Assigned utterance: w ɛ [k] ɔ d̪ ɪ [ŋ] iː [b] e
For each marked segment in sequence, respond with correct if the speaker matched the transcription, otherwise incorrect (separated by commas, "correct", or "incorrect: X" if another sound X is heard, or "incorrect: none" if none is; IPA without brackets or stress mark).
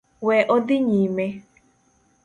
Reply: incorrect: ʔ, incorrect: ɲ, incorrect: m